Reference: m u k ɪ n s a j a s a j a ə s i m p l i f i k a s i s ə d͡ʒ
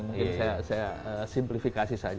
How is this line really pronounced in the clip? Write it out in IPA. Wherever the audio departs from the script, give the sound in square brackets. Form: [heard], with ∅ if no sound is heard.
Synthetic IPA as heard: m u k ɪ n s a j a s a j a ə s i m p l i f i k a s i s [a] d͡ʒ

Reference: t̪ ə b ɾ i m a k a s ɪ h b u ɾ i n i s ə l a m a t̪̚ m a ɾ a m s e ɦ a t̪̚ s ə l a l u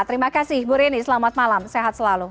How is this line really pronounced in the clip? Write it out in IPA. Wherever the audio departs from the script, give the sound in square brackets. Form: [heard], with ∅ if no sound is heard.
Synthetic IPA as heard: t̪ ə [∅] ɾ i m a k a s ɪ h b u ɾ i n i s ə l a m a t̪̚ m a [l] a m s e ɦ a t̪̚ s ə l a l u

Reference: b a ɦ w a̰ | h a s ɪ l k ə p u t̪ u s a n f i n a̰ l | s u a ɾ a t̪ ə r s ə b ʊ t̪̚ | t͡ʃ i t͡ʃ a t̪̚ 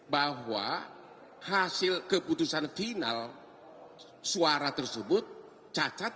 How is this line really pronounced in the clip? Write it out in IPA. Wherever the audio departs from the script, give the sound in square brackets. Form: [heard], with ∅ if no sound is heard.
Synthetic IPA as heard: b a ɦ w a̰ | h a s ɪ l k ə p u t̪ u s a n f i n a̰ l | s u a ɾ a t̪ ə r s ə b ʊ t̪̚ | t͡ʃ [a] t͡ʃ a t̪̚

